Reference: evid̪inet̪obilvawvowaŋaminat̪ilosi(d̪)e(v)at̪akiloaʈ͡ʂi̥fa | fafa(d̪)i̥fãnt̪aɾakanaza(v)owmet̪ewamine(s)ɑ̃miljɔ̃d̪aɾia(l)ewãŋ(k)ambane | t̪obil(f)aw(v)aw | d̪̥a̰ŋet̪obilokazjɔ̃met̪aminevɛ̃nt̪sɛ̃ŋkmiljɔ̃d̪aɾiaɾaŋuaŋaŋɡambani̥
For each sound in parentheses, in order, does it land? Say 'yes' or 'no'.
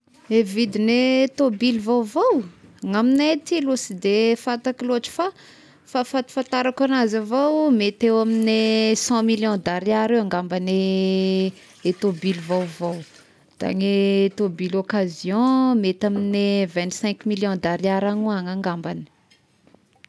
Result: yes, no, no, yes, yes, no, no, no, yes

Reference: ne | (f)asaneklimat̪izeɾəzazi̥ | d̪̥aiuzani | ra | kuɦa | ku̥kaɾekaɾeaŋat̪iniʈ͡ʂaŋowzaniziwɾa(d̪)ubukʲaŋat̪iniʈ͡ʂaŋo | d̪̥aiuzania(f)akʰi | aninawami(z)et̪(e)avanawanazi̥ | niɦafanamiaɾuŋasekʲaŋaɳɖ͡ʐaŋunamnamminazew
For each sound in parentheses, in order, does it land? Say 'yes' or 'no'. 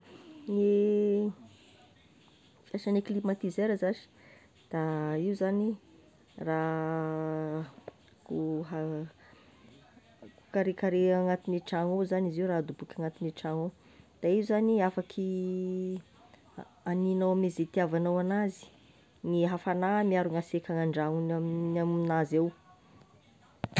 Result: yes, yes, yes, yes, no

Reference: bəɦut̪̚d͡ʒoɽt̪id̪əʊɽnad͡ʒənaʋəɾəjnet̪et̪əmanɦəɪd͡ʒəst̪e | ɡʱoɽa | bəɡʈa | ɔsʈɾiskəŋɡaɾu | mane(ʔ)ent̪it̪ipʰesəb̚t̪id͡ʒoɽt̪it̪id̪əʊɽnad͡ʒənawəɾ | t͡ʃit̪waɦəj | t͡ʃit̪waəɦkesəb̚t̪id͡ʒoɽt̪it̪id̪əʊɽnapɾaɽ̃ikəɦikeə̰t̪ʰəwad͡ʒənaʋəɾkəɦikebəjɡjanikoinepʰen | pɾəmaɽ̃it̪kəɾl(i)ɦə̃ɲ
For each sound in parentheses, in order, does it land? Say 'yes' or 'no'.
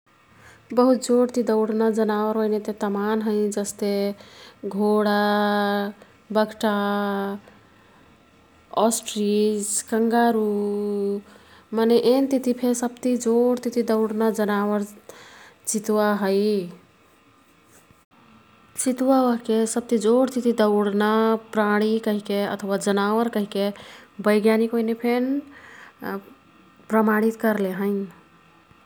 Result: yes, no

